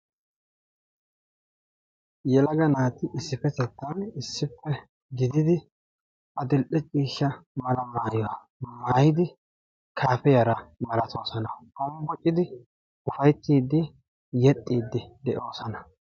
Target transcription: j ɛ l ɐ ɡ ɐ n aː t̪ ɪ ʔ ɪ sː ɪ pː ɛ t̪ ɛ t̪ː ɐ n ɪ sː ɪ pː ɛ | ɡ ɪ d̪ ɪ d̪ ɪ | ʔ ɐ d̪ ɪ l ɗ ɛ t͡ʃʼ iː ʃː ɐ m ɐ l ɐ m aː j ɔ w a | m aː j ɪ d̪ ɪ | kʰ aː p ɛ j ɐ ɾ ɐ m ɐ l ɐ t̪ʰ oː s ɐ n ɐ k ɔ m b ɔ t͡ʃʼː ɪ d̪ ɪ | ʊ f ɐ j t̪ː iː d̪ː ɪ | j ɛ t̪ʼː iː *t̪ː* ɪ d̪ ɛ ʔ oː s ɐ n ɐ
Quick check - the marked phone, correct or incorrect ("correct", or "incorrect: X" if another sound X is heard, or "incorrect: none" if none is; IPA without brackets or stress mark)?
incorrect: d̪ː